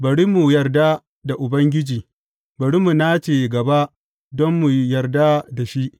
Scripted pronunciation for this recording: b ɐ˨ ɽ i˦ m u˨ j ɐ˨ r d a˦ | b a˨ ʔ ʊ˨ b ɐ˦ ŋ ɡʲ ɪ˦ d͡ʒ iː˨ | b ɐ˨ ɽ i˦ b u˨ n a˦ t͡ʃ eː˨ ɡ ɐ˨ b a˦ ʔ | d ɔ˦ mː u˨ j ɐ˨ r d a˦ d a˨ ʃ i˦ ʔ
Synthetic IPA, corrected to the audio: b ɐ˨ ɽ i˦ m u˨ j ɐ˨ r d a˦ | d a˨ ʔ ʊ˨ b ɐ˦ ŋ ɡʲ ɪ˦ d͡ʒ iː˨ | b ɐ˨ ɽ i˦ m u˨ n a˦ t͡ʃ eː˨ ɡ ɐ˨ b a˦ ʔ | d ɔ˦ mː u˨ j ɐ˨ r d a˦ d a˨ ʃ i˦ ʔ